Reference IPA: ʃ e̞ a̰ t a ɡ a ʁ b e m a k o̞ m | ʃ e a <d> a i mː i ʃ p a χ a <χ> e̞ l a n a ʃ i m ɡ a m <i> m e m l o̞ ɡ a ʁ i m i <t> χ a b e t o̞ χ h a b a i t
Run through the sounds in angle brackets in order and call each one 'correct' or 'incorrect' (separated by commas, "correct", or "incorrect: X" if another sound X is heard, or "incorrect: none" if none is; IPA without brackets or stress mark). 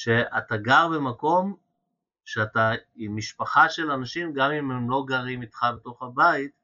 incorrect: t, incorrect: ʃ, correct, correct